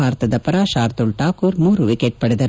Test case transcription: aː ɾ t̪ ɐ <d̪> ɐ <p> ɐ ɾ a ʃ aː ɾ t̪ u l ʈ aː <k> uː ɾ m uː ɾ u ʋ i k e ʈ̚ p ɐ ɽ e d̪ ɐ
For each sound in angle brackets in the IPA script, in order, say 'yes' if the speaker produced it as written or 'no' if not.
yes, yes, yes

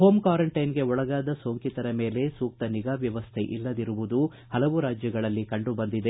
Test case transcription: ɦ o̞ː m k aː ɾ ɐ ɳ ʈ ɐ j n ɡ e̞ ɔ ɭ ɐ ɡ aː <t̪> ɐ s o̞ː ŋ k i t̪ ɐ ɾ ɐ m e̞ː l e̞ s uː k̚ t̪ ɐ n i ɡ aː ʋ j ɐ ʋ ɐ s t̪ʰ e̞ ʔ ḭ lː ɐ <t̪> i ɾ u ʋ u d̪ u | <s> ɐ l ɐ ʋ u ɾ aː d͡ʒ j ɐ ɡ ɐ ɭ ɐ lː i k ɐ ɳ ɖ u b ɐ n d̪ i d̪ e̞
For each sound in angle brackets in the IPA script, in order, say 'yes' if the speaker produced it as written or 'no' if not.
no, no, no

